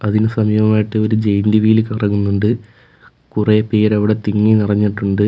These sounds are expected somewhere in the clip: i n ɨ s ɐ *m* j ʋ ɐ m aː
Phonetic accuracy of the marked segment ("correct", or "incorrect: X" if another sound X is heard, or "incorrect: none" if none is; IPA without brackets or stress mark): correct